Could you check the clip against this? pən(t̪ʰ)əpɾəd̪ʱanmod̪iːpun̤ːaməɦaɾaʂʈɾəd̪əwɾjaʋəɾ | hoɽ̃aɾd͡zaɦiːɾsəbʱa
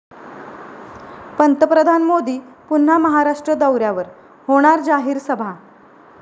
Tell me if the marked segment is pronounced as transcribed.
no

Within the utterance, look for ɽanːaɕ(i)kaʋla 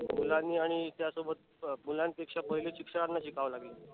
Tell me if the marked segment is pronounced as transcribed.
yes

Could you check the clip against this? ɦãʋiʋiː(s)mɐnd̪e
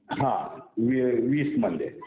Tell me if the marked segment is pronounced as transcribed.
yes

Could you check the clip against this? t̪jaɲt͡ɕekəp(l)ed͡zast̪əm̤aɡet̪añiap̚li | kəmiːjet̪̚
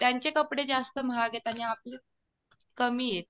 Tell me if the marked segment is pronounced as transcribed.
no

